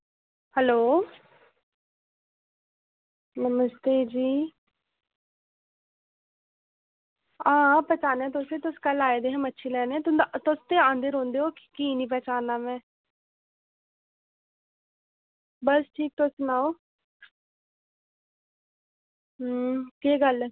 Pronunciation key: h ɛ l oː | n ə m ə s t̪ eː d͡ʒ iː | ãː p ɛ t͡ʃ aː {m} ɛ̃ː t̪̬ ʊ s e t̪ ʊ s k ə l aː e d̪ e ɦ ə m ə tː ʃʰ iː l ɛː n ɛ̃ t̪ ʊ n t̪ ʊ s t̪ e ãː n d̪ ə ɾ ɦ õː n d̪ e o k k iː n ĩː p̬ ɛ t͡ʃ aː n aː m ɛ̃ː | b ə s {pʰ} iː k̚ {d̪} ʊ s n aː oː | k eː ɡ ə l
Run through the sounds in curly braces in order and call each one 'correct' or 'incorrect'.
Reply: incorrect: n, incorrect: ʈʰ, incorrect: t̪

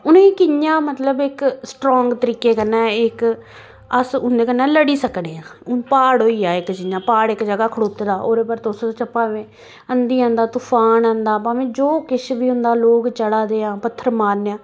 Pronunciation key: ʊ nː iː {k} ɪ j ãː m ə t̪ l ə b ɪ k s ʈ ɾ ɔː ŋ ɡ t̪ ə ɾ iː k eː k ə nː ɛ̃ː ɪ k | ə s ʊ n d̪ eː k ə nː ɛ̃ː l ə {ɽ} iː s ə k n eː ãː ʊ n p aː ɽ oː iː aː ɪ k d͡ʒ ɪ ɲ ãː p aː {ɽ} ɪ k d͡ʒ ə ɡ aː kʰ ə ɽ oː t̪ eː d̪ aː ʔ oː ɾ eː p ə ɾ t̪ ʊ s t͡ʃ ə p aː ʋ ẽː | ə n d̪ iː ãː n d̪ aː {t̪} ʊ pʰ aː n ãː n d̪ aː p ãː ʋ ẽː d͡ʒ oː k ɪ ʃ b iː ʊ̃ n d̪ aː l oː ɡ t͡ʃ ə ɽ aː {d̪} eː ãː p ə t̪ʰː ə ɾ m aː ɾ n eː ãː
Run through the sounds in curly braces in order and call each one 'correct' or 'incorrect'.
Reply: correct, correct, correct, correct, correct

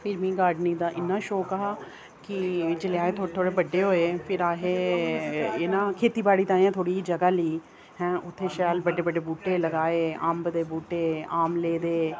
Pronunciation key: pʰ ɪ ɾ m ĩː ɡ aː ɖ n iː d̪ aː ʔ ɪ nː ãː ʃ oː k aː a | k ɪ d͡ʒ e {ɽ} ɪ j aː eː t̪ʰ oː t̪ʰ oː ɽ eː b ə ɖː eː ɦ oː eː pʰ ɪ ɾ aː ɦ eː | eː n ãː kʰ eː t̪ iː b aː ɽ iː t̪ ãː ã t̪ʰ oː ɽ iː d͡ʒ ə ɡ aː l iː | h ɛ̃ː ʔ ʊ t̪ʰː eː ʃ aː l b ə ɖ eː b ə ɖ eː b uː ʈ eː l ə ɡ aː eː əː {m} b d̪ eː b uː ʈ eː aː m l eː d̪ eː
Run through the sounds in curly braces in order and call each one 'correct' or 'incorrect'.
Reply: incorrect: l, correct

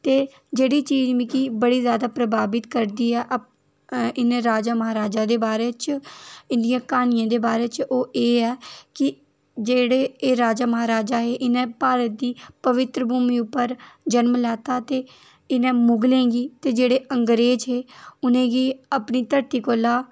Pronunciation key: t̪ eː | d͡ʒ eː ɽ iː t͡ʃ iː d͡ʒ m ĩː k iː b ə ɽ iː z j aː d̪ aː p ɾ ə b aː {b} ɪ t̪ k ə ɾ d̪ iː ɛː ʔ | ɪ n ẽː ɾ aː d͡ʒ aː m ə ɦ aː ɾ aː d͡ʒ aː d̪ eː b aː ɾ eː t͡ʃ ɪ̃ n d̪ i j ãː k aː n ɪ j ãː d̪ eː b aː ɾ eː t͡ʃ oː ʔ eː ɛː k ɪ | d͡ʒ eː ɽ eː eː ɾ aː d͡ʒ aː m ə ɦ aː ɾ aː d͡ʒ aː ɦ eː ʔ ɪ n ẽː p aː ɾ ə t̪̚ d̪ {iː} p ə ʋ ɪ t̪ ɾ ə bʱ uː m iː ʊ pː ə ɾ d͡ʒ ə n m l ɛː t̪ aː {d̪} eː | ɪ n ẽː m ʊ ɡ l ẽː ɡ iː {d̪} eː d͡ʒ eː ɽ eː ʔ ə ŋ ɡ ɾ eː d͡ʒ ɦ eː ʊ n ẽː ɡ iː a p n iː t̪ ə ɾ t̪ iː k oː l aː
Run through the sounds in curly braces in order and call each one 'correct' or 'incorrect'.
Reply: correct, correct, incorrect: t̪, incorrect: t̪

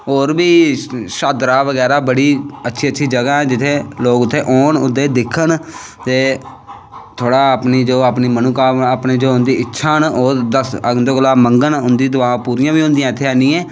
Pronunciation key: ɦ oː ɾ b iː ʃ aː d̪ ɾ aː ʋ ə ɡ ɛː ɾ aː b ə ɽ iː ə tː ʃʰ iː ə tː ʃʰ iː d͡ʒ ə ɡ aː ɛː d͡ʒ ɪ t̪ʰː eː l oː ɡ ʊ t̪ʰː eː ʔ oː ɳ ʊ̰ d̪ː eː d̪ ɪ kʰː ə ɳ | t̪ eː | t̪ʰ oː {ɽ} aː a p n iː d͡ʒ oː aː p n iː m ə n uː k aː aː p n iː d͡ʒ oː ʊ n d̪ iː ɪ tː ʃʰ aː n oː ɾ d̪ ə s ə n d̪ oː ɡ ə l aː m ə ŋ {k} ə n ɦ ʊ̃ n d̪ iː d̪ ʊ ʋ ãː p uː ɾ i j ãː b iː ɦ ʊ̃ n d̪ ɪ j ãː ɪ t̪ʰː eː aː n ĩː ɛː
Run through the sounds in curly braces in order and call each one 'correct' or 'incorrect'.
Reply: correct, incorrect: ɡ

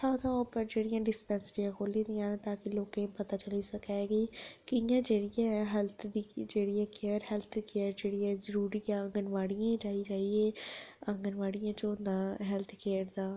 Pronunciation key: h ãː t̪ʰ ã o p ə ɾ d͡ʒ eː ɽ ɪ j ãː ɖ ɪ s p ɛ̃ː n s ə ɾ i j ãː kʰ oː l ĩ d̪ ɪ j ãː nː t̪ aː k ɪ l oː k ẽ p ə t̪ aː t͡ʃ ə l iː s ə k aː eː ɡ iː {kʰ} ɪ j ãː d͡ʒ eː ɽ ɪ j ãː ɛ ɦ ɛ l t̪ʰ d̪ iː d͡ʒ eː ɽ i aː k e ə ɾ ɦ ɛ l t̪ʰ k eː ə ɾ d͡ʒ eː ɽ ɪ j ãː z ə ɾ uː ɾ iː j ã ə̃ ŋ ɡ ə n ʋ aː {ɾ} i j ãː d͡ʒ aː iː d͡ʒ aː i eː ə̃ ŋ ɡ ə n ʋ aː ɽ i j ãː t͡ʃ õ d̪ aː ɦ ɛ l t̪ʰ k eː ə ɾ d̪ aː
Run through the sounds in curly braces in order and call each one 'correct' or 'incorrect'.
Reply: incorrect: k, incorrect: ɽ

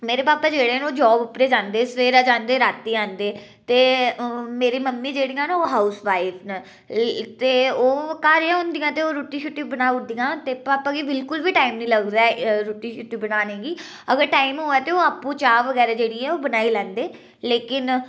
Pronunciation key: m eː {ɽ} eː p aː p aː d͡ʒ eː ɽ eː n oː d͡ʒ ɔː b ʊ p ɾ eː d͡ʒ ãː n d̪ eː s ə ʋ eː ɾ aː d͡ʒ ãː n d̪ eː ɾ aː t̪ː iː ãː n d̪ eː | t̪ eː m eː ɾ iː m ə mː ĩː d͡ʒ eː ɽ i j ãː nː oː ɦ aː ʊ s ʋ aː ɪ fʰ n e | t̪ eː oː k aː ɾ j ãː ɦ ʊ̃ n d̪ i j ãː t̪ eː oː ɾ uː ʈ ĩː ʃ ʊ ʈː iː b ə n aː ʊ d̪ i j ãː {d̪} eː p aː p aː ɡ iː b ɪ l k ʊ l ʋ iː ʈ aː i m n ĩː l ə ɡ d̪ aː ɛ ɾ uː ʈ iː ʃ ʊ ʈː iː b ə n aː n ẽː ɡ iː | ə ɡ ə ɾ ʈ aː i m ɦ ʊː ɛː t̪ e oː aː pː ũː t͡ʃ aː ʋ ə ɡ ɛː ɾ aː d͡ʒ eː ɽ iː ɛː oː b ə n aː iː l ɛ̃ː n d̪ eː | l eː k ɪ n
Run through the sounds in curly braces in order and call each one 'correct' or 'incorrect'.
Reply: incorrect: ɾ, incorrect: t̪

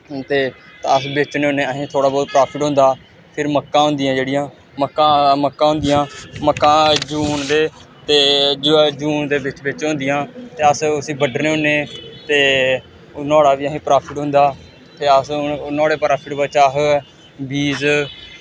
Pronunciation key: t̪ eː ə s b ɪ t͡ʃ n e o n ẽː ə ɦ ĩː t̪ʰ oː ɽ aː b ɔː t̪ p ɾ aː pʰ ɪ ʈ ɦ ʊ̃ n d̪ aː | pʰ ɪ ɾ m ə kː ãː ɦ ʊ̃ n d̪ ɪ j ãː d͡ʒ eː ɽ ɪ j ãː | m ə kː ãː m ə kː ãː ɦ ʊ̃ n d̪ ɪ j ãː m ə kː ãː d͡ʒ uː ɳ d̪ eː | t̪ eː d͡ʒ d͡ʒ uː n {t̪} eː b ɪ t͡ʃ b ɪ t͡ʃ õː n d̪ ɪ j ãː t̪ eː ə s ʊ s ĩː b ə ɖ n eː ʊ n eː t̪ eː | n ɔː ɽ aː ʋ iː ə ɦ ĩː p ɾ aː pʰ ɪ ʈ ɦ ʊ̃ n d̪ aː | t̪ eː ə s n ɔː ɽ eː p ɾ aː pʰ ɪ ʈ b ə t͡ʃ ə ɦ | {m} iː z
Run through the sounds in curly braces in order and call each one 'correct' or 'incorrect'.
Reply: incorrect: d̪, incorrect: b

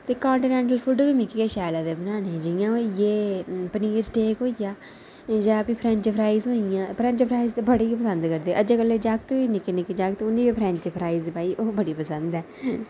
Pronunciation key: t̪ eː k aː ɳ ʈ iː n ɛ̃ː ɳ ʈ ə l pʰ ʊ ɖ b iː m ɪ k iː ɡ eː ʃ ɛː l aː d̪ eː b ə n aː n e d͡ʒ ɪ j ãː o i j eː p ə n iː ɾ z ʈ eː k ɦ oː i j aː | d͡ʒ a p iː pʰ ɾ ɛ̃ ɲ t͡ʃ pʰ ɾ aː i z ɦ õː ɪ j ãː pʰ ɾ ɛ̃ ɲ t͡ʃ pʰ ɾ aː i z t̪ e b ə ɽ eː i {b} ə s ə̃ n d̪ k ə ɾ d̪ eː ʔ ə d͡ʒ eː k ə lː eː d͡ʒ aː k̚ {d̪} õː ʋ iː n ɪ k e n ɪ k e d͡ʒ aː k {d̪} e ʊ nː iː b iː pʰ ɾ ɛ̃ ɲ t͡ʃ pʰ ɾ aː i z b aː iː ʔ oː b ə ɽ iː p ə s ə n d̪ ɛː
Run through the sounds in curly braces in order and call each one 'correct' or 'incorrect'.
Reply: incorrect: p, incorrect: t̪, incorrect: t̪

